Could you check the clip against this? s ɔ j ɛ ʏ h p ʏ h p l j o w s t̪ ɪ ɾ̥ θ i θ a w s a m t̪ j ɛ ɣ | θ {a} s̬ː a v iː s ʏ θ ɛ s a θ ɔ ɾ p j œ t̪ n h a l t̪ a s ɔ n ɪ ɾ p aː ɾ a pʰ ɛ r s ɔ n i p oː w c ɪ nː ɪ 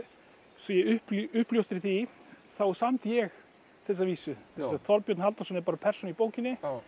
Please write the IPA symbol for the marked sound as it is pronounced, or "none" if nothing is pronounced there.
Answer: ɛ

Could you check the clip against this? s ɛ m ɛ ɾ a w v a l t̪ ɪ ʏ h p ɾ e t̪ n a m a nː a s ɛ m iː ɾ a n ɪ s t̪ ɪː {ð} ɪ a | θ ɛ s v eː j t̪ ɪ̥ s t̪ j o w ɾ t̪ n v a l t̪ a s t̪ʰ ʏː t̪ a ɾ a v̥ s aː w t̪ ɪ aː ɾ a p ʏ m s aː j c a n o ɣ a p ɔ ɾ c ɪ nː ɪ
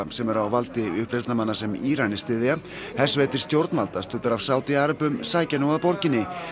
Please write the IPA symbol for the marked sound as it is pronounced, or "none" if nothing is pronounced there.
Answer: ð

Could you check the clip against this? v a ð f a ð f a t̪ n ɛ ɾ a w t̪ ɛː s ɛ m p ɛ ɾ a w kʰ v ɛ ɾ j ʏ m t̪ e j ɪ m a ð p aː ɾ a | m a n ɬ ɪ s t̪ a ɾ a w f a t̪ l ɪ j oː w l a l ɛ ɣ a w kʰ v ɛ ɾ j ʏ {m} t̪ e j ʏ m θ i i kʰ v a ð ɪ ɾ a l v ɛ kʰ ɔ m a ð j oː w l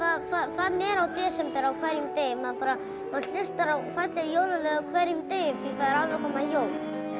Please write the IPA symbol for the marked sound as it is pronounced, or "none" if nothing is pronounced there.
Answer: m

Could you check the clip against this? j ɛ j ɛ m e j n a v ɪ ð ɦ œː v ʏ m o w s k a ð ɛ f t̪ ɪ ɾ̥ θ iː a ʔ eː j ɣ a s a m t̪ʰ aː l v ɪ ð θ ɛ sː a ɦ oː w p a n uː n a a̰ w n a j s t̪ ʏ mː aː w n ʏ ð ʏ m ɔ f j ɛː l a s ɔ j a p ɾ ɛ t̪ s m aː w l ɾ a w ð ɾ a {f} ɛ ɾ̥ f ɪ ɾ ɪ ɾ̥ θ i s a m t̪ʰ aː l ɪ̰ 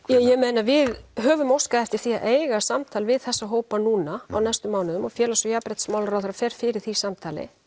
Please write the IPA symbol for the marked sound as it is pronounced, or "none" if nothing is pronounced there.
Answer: f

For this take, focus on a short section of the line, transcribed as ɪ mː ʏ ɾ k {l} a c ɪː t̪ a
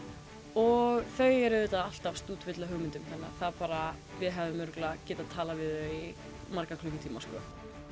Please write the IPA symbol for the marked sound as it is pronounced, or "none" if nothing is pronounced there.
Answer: l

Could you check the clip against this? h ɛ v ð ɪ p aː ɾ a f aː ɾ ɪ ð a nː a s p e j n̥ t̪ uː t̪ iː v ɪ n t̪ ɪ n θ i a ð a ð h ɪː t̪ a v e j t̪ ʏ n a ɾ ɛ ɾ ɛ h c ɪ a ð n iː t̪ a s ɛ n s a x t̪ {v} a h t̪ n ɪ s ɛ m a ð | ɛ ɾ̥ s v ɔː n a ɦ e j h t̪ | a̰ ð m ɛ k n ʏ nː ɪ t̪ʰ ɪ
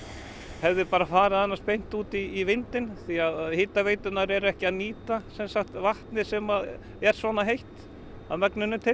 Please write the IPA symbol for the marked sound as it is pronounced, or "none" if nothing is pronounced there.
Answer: v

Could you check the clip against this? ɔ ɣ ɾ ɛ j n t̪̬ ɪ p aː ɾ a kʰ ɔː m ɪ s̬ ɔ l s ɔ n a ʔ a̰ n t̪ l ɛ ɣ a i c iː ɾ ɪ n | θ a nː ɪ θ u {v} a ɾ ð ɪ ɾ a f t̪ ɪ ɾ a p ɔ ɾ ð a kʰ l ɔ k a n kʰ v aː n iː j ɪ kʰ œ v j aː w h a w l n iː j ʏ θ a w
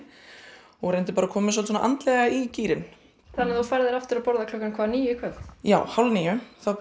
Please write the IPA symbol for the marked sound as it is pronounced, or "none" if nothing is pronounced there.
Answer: f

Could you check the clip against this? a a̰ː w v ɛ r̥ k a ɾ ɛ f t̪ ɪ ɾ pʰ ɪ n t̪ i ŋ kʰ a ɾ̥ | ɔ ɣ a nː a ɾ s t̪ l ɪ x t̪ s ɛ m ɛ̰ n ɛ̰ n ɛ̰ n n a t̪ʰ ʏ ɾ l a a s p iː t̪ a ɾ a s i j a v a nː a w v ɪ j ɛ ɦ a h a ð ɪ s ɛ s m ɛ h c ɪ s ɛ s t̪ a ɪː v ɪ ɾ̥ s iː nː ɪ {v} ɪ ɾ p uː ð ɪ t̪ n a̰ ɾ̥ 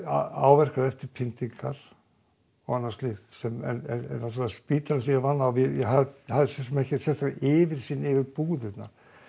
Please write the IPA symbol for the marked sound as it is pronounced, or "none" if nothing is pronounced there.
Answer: v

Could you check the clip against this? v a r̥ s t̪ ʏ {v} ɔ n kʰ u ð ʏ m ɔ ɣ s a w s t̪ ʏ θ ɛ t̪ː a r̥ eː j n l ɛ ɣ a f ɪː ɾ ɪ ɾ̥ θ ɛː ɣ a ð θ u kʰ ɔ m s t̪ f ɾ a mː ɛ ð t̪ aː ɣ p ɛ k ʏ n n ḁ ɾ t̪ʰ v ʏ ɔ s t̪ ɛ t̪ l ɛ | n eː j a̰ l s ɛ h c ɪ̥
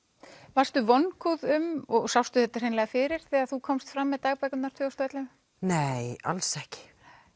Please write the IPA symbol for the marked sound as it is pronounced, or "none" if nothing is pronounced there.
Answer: v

